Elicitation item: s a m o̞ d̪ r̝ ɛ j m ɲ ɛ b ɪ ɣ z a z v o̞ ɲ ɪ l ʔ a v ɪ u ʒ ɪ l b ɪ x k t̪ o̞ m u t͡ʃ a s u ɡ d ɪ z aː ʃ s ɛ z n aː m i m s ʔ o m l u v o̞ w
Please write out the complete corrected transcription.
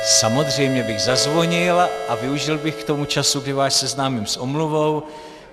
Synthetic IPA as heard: s a m o̞ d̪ r̝ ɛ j m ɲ ɛ b ɪ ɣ z a z v o̞ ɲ ɪ l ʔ a v ɪ u ʒ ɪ l b ɪ x k t̪ o̞ m u t͡ʃ a s u ɡ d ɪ v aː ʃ s ɛ z n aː m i m s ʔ o m l u v o̞ w